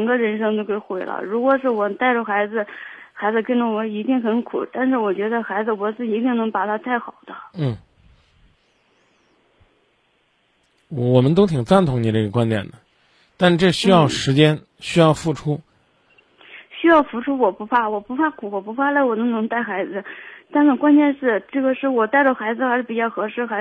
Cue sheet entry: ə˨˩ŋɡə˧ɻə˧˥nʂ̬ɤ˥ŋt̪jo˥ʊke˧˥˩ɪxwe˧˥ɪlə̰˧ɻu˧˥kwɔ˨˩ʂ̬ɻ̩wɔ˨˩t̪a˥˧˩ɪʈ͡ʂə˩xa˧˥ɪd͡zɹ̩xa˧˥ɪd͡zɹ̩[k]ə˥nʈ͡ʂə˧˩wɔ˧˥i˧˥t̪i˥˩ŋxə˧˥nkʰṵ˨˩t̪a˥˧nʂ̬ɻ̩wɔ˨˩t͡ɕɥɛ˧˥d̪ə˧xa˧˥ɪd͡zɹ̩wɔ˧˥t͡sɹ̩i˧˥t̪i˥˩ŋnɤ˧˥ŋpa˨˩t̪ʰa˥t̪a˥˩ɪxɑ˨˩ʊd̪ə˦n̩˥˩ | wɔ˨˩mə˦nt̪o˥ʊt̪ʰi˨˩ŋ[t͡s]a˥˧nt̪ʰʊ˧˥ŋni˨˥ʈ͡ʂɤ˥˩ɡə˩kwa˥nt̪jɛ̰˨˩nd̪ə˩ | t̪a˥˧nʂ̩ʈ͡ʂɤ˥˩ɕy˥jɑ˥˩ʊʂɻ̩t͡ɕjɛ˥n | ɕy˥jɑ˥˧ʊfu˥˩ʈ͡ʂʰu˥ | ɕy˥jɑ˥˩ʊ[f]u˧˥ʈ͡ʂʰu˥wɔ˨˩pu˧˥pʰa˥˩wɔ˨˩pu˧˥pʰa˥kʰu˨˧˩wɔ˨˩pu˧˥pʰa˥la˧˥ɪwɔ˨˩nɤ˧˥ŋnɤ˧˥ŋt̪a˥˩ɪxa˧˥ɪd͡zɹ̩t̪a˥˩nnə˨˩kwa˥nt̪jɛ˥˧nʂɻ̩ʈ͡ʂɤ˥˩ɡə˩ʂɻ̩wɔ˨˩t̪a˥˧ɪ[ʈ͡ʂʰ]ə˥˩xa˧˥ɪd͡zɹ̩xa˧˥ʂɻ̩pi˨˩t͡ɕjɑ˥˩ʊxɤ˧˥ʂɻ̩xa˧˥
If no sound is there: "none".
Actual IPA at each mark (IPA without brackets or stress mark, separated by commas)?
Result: k, t͡s, f, ʈ͡ʂ